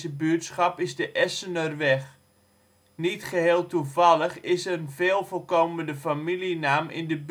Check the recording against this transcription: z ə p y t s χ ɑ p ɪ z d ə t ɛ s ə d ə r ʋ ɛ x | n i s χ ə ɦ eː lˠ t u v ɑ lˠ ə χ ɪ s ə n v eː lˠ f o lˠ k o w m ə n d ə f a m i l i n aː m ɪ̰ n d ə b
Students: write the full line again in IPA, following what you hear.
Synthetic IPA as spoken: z ə b y t s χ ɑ p ɪ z d ə ʔ ɛ s ə n ə r ʋ ɛ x | n i t χ ə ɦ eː lˠ t u v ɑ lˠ ə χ ɪ s ə n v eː lˠ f o lˠ k o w m ə n d ə f a m i l i n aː m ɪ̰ n d ə b